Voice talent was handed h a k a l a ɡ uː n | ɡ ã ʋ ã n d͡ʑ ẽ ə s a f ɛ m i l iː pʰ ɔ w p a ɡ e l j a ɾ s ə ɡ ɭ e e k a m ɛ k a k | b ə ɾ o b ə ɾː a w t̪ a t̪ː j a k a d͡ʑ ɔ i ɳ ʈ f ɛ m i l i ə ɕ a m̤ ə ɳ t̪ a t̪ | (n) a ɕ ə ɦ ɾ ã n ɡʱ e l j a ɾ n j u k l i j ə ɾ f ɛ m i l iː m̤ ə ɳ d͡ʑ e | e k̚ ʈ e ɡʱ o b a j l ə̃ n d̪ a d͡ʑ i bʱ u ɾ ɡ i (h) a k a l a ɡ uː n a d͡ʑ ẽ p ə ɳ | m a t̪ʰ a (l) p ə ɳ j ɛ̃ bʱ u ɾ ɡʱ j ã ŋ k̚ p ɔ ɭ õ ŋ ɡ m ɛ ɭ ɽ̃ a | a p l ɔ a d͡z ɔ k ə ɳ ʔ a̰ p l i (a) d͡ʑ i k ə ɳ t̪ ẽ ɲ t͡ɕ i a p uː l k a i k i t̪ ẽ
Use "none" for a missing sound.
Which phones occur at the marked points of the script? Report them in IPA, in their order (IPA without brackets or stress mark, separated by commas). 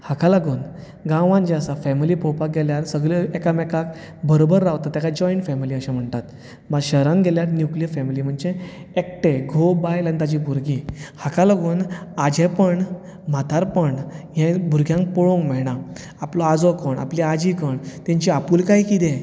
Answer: m, h, ɾ, a